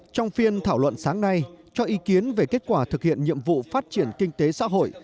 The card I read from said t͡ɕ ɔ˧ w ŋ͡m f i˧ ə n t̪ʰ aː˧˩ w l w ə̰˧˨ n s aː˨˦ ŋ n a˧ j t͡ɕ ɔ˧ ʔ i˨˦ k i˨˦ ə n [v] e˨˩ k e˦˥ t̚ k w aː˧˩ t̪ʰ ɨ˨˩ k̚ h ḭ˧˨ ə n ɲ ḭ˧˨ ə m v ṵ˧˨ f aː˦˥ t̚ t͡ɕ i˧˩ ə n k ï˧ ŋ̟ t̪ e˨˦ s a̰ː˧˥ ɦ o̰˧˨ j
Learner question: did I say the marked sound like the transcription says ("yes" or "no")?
yes